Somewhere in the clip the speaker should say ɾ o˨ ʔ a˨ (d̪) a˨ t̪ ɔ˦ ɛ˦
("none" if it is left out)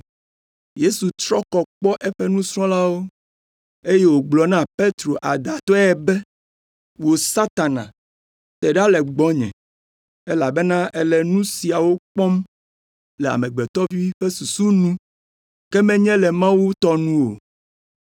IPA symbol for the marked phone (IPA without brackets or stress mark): d̪